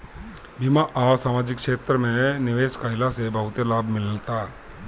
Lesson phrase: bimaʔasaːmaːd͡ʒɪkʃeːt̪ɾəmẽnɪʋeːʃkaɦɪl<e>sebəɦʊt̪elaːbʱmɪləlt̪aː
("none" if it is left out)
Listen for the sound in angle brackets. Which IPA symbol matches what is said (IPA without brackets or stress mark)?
a